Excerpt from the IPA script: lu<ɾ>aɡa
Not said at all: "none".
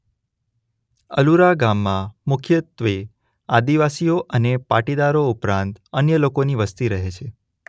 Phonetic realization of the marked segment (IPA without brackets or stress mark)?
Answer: ɾ